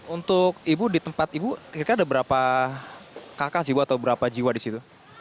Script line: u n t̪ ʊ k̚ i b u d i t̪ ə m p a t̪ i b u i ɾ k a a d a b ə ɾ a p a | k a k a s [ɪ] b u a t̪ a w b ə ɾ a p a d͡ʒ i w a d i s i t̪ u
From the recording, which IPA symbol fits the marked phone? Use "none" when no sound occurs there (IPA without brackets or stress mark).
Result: i